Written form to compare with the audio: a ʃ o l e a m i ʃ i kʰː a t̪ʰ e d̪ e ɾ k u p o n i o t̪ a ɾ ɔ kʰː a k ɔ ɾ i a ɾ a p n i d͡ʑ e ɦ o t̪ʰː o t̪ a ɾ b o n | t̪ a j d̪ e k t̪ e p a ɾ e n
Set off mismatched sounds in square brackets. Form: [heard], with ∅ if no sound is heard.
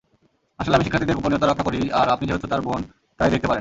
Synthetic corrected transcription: a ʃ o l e a m i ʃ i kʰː a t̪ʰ [i] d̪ e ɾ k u p o n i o t̪ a ɾ ɔ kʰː a k [o] ɾ i a ɾ a p n i d͡ʑ e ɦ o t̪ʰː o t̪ a ɾ b o n | t̪ a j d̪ e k t̪ e p a ɾ e n